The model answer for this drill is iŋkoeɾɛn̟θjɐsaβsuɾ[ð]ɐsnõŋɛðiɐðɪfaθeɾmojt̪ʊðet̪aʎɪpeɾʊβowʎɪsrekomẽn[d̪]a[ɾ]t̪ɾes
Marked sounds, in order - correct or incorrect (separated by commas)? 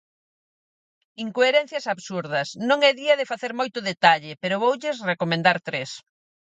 correct, correct, correct